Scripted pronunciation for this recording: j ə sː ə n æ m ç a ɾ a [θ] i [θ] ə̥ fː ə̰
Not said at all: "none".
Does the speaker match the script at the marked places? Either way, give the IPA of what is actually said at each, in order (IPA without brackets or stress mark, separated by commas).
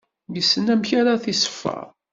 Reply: θ, s